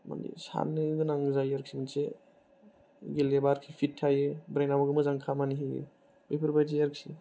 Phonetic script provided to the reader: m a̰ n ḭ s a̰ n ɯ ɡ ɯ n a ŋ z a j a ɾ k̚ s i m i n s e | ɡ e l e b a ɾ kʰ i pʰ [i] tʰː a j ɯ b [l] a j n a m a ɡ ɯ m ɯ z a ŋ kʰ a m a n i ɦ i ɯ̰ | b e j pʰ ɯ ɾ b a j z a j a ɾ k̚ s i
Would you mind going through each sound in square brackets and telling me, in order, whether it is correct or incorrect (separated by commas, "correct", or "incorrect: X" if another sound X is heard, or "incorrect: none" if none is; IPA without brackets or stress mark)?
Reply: correct, incorrect: ɾ